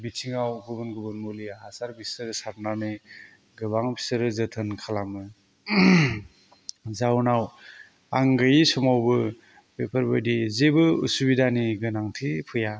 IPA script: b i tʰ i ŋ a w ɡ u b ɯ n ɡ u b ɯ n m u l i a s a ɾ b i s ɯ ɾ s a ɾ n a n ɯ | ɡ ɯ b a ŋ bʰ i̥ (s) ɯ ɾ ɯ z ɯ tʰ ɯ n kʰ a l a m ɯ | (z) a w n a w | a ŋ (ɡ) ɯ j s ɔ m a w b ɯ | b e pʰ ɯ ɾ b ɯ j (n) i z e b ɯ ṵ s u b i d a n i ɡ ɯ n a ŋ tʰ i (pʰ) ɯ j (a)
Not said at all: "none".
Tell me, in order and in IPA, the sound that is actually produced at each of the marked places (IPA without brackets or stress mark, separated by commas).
s, z, ɡ, d, pʰ, a